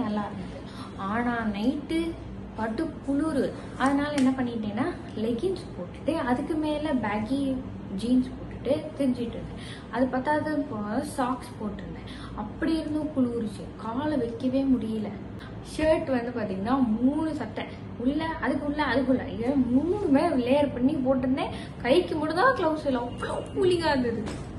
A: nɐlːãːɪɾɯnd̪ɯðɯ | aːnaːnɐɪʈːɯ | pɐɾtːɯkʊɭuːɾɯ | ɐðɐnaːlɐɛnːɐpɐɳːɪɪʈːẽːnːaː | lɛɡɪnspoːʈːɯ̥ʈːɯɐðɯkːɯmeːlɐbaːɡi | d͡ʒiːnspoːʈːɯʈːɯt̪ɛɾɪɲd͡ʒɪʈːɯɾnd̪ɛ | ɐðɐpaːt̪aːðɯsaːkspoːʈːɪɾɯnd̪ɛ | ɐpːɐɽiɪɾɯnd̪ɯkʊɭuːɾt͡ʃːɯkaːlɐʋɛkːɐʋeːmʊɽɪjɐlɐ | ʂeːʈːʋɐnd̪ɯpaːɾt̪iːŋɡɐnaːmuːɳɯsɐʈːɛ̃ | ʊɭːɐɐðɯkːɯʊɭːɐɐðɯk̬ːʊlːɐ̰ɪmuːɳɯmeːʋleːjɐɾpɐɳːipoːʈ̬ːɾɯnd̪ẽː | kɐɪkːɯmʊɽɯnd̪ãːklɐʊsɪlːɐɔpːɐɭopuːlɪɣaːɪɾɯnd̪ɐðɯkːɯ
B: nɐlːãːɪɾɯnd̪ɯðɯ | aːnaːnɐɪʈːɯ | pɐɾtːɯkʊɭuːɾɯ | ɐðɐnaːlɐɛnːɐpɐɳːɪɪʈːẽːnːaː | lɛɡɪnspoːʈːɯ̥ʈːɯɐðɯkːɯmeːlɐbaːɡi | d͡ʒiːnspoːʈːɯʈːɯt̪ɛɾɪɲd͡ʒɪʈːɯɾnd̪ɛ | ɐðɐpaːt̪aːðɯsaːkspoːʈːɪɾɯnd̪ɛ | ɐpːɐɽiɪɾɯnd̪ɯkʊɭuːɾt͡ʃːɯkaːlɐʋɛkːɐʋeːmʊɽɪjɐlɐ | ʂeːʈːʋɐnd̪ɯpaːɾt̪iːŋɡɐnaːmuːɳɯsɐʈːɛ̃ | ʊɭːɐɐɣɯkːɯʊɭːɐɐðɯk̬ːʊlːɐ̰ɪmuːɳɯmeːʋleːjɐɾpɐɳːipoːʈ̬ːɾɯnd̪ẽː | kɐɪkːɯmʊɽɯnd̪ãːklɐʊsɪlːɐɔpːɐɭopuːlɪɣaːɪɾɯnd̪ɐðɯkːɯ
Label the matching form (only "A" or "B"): A